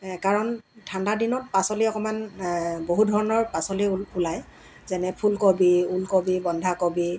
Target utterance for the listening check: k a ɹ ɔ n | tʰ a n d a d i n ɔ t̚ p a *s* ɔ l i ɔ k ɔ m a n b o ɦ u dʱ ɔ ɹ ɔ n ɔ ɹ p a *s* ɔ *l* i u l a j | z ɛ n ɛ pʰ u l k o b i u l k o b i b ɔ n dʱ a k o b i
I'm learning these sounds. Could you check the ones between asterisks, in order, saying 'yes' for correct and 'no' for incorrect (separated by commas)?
yes, yes, yes